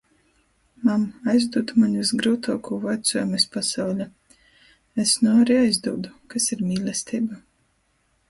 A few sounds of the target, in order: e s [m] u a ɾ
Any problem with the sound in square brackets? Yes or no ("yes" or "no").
yes